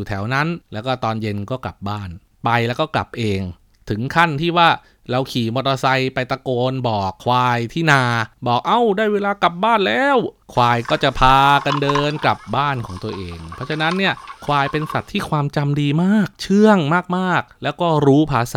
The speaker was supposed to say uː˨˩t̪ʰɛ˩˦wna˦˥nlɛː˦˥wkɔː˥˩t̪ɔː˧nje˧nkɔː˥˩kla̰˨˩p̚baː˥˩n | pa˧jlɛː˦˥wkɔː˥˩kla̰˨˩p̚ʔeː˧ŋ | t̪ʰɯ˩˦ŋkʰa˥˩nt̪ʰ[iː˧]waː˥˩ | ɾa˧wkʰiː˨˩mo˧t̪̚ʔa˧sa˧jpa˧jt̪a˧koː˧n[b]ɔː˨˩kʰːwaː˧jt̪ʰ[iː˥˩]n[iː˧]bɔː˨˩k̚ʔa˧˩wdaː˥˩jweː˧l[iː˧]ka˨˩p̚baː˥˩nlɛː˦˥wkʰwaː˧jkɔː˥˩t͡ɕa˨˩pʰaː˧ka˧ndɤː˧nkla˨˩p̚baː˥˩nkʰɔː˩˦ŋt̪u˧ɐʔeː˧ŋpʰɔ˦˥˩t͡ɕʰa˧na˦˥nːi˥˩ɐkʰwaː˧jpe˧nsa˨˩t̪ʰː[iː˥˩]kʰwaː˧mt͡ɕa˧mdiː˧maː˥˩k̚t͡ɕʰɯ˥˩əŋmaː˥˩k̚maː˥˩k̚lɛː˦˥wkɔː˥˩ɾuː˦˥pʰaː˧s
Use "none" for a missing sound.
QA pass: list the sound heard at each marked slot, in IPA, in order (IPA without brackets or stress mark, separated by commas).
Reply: iː˥˩, b, iː˥˩, aː˧, aː˧, iː˥˩